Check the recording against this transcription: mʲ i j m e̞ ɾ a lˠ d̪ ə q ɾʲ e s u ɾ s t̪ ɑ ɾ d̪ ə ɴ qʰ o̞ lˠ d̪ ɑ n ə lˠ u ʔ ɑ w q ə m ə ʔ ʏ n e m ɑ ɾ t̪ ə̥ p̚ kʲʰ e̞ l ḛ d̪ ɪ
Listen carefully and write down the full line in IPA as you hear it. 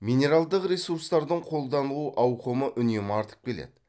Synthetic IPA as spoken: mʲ i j n e̞ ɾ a lˠ d̪ ə q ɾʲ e s u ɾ s t̪ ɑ ɾ d̪ ə ɴ qʰ o̞ lˠ d̪ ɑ n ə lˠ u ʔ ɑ w q ə m ə ʔ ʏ n e m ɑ ɾ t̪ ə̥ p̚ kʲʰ e̞ l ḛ d̪ ɪ